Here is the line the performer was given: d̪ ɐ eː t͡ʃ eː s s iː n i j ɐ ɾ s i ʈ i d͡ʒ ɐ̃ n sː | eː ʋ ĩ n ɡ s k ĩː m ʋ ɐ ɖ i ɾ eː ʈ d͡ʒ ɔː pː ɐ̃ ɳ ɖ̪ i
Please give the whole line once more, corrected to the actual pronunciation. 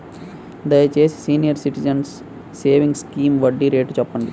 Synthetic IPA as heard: d̪ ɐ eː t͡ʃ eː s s iː n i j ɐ ɾ s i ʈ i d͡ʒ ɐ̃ n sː | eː ʋ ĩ ŋ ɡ s k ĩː m ʋ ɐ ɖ i ɾ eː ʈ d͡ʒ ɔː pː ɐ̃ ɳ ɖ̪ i